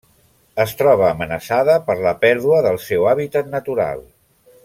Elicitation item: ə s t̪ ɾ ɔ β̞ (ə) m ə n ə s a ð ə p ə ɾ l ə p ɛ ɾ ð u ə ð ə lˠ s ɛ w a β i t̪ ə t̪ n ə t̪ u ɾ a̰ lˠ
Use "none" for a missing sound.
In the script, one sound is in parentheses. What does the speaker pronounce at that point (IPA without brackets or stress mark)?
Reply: əː